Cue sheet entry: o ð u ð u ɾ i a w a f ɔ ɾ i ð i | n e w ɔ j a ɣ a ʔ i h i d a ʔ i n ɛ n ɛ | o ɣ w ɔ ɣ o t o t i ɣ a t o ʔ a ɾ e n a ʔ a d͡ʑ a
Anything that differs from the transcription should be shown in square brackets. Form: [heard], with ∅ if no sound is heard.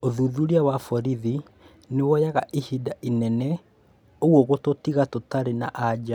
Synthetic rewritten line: o ð u ð u ɾ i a w a f ɔ ɾ i ð i | n e w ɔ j a ɣ a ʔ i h i d a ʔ i n ɛ n ɛ | o ɣ w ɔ ɣ o t o t i ɣ a t o [t] a ɾ e n a ʔ a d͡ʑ a